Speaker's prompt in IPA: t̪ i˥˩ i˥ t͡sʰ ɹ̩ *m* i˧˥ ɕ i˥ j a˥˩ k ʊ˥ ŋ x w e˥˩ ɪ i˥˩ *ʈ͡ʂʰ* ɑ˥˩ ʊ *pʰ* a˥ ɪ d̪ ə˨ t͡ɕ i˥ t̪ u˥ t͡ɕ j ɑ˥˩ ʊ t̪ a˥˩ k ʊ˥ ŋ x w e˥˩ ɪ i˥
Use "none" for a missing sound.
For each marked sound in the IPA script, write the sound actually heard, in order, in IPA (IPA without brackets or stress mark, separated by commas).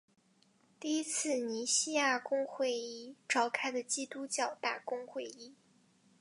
n, ʈ͡ʂ, kʰ